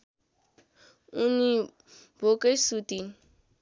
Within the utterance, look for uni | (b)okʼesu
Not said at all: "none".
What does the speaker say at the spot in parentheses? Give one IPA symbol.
b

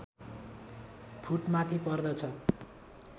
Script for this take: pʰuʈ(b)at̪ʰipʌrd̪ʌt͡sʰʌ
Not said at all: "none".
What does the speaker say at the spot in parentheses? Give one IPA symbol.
m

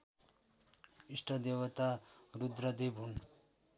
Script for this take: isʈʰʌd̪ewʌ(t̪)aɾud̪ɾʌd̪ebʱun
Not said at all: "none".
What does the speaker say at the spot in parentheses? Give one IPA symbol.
t̪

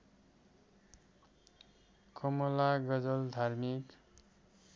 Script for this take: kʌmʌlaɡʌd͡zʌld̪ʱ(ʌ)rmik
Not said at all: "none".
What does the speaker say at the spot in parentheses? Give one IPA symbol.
a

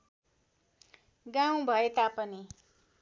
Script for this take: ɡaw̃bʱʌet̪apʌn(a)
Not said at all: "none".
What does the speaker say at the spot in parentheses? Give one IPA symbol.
i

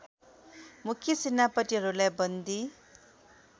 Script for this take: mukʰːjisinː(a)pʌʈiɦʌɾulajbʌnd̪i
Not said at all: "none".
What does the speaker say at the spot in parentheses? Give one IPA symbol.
a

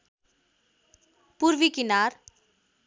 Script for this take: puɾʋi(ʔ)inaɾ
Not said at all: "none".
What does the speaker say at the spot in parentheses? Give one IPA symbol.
k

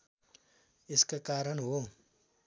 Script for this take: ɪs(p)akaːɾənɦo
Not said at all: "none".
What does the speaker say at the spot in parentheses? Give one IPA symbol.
k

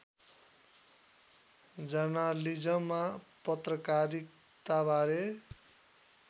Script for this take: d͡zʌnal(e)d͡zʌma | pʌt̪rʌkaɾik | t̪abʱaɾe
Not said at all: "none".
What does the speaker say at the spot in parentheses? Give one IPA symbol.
i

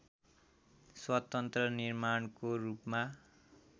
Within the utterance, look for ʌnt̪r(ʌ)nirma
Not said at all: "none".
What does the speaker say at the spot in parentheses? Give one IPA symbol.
ʌ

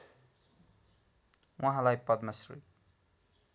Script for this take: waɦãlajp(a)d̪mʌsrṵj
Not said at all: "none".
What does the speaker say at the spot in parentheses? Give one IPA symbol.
ʌ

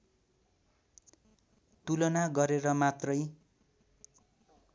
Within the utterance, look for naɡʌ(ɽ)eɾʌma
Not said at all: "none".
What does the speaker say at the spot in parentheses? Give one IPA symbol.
ɾ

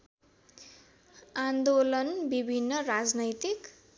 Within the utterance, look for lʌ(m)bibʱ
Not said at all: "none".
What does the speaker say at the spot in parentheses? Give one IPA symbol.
n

